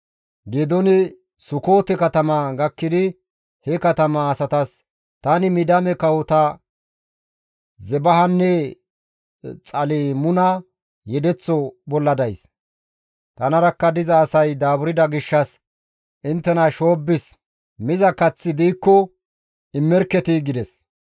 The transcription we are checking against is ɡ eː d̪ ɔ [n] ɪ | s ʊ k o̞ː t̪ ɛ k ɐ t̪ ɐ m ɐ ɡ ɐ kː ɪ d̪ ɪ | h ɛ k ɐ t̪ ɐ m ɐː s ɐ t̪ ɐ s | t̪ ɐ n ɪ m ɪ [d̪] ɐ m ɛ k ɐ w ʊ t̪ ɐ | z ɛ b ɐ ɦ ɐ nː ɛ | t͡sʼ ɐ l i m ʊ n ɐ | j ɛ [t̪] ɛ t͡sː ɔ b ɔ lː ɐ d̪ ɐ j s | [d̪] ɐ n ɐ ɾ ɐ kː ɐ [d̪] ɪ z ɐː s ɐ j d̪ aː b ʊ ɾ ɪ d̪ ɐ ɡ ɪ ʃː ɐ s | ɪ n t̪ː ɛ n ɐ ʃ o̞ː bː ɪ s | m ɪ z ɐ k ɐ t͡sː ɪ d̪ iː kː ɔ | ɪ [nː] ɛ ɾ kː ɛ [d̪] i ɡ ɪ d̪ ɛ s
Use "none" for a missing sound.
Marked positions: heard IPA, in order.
n, d̪, d̪, t̪, d̪, mː, t̪

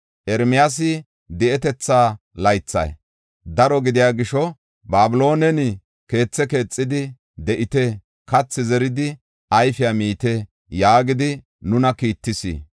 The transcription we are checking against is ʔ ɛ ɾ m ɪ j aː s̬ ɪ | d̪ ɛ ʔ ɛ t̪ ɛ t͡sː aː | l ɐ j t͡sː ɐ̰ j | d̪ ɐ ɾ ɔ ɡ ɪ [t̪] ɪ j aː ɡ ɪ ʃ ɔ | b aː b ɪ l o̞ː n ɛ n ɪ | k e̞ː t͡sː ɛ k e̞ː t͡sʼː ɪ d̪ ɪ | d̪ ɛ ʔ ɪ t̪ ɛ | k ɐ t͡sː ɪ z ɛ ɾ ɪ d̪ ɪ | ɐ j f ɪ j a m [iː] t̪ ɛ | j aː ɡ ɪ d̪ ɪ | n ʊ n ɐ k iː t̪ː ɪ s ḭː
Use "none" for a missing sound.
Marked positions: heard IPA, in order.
d̪, iː

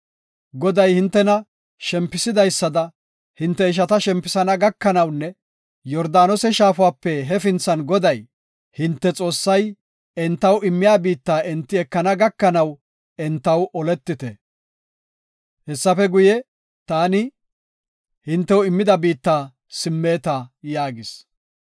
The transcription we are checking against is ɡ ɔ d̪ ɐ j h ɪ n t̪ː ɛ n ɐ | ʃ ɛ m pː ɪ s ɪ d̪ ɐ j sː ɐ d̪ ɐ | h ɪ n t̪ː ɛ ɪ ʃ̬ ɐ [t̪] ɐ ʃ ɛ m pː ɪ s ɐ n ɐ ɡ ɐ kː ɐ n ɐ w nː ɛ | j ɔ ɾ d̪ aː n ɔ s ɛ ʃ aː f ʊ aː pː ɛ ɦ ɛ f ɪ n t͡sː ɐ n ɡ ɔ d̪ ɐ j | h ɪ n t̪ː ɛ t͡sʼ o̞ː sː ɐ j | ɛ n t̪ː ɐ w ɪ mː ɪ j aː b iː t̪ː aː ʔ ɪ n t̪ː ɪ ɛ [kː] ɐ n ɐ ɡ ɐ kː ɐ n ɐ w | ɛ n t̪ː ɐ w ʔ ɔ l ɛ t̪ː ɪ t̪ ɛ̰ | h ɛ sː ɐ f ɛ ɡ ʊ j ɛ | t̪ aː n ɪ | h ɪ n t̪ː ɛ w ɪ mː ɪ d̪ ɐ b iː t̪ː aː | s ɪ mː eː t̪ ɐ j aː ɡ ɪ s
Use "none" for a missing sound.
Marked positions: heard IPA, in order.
t̪, kː

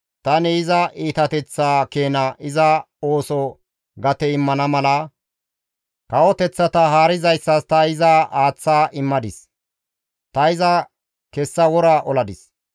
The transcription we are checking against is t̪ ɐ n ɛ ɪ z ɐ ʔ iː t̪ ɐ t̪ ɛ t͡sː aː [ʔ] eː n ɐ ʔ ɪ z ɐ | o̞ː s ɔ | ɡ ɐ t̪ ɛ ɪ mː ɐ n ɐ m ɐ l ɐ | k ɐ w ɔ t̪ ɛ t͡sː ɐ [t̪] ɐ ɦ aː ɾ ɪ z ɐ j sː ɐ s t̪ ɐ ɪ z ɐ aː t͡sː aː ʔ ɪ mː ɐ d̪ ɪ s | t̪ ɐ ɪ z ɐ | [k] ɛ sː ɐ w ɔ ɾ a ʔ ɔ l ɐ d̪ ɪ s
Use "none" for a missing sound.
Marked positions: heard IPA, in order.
k, t̪, k

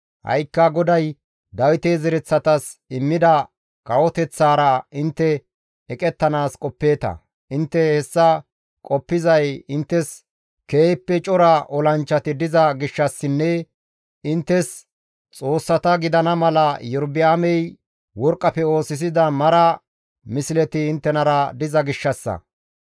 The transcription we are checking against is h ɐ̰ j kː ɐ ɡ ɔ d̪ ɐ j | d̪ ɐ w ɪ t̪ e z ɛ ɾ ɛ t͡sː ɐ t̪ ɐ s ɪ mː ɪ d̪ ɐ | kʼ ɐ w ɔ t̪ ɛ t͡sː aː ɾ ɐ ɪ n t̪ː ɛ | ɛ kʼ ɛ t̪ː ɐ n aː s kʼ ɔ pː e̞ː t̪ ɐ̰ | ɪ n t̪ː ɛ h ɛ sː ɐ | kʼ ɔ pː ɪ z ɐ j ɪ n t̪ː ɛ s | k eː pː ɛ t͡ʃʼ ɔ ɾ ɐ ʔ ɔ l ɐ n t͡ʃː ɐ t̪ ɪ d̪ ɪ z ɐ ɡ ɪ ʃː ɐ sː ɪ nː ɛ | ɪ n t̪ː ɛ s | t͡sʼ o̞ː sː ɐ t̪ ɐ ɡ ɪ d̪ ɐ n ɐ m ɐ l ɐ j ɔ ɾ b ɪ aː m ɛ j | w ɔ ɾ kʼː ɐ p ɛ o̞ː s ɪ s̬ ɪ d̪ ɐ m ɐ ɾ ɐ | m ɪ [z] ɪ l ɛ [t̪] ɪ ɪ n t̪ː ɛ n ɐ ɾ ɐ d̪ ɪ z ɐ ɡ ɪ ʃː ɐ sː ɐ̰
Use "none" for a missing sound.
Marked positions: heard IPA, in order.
s, t̪

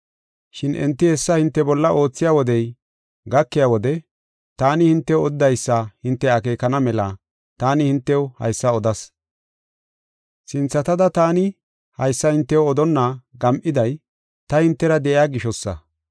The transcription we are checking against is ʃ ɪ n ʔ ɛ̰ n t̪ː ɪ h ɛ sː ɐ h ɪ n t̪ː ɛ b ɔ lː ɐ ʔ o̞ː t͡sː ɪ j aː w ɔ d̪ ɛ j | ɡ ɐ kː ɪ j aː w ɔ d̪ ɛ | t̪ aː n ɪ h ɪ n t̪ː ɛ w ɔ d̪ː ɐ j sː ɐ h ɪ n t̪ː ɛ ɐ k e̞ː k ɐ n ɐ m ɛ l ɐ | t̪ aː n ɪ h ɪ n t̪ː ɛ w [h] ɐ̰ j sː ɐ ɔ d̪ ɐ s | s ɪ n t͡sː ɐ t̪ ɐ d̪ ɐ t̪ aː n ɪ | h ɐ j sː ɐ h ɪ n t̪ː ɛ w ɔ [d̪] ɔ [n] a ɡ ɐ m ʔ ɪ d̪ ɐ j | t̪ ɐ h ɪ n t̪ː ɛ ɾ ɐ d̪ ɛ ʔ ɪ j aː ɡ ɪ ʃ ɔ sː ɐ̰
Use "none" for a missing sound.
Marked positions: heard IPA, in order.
h, d̪, nː

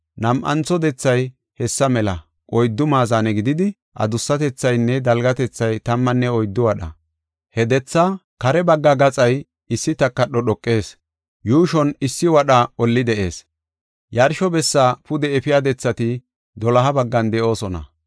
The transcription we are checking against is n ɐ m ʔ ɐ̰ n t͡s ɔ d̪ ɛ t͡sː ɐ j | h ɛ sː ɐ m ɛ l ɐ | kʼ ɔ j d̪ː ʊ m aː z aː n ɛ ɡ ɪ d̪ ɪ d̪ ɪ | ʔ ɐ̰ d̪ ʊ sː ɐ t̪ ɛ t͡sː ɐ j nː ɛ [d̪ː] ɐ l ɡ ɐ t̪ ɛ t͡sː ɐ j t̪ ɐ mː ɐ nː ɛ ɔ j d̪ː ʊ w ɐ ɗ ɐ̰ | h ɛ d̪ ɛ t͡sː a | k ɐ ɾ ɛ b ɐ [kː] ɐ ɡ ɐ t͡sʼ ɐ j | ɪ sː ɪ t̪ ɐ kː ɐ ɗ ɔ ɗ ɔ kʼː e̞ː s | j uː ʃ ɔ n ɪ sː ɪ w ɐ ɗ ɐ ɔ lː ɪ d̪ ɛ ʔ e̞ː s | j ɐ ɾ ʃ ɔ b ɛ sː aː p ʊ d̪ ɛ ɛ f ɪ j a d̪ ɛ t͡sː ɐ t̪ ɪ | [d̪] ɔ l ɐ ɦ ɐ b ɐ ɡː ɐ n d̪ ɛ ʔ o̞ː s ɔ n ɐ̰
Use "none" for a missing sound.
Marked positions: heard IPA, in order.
d̪, ɡː, d̪

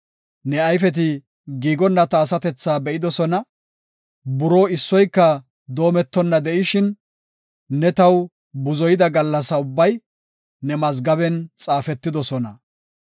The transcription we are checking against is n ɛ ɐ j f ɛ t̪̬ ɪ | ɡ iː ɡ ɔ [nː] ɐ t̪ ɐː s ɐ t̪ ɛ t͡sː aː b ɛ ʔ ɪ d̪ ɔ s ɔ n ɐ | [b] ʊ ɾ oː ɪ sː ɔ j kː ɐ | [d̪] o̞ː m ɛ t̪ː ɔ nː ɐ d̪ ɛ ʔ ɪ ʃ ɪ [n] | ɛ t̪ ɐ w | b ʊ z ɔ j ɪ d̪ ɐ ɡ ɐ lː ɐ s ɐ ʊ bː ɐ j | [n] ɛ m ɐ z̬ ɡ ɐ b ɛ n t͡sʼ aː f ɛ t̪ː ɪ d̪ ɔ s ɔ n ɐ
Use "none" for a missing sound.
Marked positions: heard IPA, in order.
nː, b, d̪, nː, n

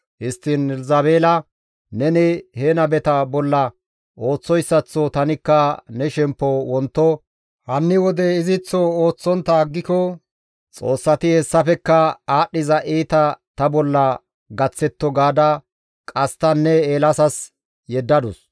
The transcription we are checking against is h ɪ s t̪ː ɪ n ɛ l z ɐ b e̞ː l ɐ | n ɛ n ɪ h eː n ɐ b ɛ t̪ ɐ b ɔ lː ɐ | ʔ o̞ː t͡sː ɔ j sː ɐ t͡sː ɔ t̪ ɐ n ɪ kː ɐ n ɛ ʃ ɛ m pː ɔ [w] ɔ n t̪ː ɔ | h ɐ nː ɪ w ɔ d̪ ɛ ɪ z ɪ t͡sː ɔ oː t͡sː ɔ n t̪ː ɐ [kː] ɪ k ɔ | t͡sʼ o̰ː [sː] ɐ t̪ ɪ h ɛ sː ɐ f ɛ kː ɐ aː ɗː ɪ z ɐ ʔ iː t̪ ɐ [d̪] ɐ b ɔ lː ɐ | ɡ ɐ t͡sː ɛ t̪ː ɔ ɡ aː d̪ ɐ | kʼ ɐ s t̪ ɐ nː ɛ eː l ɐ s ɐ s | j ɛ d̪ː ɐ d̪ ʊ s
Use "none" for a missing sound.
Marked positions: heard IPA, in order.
w, ɡː, sː, t̪

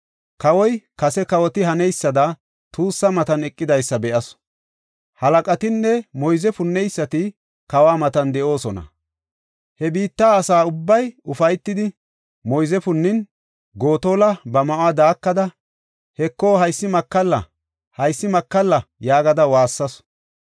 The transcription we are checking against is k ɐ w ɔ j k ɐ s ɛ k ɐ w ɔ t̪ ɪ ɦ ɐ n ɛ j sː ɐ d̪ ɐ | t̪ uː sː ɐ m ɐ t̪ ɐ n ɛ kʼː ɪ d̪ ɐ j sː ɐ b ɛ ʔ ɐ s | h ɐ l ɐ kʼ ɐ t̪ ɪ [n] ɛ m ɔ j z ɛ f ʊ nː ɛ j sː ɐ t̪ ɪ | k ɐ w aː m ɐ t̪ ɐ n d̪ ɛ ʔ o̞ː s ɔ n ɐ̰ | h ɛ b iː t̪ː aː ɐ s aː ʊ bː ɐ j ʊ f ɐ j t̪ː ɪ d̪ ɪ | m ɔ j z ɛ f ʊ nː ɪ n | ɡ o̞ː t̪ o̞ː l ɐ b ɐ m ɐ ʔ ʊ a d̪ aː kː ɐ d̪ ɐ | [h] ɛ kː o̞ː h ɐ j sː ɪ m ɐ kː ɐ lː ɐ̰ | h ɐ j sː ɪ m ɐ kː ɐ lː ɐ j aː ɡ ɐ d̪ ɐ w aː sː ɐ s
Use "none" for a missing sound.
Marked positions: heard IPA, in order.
nː, h

